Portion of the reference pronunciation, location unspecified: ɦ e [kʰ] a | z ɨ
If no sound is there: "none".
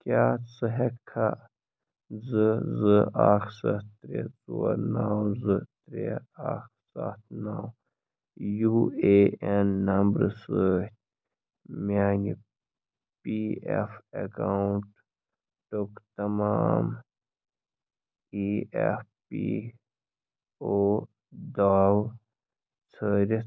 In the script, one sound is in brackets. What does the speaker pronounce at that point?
kʰ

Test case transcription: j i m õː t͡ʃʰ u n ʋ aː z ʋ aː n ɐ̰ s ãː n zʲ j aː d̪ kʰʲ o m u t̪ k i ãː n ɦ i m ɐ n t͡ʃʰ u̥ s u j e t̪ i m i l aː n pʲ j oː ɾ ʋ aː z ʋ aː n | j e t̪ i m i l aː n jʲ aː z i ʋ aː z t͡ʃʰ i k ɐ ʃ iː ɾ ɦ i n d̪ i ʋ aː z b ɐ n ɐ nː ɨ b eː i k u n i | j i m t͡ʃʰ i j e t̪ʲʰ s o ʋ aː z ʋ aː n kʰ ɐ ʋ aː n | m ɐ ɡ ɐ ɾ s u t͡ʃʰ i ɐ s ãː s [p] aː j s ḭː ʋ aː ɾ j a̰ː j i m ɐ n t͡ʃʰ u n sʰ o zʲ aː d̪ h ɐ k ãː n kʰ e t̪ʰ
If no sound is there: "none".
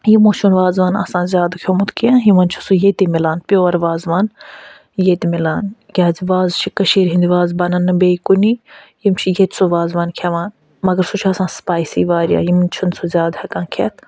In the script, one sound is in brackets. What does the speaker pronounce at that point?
p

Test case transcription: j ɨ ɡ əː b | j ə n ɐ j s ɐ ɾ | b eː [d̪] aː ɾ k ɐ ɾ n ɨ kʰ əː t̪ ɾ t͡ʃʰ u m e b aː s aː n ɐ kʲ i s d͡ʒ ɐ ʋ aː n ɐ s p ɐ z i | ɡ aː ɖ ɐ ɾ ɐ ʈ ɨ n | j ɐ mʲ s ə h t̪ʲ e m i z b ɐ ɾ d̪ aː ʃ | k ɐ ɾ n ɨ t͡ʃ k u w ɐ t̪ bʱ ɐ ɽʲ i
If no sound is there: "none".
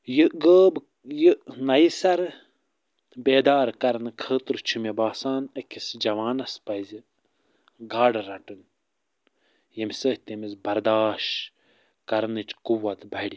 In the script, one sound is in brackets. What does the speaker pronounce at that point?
d̪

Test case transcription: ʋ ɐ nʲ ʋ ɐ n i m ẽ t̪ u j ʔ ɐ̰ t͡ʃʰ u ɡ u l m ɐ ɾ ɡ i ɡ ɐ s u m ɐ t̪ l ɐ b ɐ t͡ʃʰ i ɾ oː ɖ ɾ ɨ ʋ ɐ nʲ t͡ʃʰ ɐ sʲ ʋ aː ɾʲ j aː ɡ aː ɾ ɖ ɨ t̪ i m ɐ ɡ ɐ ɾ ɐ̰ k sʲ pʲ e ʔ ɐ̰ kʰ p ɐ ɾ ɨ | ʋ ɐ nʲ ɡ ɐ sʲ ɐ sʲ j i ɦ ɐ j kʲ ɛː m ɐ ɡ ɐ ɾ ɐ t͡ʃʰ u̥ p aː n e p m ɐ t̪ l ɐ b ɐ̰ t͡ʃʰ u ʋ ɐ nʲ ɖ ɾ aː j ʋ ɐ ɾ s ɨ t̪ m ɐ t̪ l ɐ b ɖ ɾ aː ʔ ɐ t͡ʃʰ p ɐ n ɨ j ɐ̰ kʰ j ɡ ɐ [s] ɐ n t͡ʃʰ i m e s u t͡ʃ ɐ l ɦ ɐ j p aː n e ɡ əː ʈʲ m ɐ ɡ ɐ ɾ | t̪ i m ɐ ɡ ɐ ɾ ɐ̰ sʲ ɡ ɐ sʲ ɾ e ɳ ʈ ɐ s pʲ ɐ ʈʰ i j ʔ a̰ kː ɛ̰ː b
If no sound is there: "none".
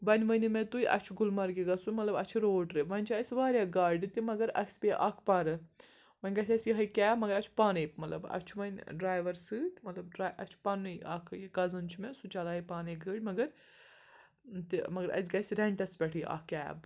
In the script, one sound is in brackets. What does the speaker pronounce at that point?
z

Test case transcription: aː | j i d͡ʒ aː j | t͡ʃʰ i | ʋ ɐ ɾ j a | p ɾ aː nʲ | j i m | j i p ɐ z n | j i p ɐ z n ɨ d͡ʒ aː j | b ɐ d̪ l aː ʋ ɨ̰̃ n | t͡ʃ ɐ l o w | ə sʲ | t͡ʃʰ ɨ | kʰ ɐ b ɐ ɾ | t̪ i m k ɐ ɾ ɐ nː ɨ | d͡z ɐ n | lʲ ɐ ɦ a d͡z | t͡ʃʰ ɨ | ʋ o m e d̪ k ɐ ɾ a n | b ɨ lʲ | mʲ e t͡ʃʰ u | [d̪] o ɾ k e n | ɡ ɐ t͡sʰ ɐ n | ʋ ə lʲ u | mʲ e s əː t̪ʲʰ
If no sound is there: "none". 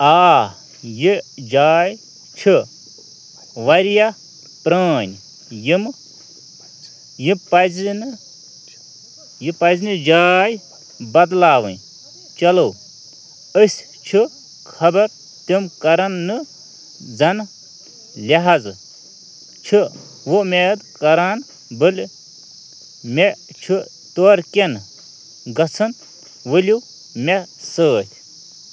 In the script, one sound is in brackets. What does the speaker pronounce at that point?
t̪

